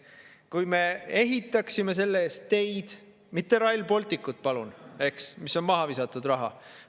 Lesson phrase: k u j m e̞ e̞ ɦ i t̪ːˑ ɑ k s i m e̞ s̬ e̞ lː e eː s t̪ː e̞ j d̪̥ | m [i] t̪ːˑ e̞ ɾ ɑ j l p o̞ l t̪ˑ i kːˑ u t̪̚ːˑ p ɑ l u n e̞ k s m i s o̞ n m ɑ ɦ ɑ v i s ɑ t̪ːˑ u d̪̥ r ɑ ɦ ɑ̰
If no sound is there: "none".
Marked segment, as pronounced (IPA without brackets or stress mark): i